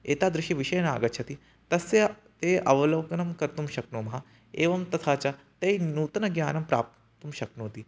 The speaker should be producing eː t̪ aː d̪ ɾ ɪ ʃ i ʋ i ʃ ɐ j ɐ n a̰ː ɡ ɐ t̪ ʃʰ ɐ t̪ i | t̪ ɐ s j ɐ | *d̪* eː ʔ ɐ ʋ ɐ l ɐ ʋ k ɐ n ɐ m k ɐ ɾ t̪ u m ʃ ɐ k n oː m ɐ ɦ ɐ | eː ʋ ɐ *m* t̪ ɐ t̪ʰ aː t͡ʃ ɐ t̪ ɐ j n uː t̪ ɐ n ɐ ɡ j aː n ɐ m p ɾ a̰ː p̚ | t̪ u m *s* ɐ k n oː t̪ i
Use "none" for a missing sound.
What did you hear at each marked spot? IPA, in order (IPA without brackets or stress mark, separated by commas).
t̪, m, ʃ